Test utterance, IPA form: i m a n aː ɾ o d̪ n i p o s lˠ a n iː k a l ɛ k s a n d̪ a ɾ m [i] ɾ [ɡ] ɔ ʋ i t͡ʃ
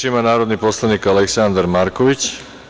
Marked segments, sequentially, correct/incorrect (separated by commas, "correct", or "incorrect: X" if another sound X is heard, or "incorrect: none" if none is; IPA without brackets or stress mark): incorrect: a, incorrect: k